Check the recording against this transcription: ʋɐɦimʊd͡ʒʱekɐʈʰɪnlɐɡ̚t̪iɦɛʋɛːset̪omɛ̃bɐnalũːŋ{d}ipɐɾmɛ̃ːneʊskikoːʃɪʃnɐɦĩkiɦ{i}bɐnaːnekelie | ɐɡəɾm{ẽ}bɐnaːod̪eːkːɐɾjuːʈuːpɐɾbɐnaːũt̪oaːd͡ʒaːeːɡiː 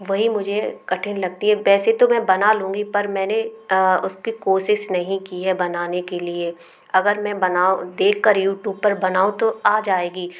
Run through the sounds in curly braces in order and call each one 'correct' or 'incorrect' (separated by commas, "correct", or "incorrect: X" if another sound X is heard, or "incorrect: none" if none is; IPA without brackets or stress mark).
incorrect: ɡ, incorrect: ɛ, incorrect: ɛ̃